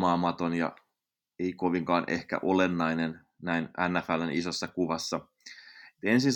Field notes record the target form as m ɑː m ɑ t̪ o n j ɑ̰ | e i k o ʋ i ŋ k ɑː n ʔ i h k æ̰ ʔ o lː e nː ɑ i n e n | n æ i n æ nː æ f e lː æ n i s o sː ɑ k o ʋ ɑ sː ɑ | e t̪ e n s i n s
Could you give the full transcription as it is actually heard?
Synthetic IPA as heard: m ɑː m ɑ t̪ o n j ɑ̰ | e i k o ʋ i ŋ k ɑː n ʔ e h k æ̰ ʔ o l e nː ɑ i n e n | n æ i n æ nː æ f æ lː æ n i s o sː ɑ k u ʋ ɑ sː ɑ | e t̪ e n s i n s